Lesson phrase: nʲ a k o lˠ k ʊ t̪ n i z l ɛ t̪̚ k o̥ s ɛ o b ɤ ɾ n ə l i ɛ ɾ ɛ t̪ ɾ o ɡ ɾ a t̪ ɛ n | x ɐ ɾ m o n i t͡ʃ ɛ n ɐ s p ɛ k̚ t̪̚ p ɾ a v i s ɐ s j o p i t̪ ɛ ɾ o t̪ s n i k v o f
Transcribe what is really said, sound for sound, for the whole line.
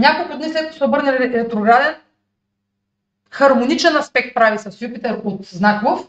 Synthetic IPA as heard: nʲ a k o lˠ k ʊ d̪ n i s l ɛ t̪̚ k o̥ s ɛ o b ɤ ɾ n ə l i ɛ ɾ ɛ t̪ ɾ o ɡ ɾ a d̪ ɛ n | x ɐ ɾ m o n i t͡ʃ ɛ n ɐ s p ɛ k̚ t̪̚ p ɾ a v i s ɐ s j u p i t̪ ɛ ɾ o t̪ z n a k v o f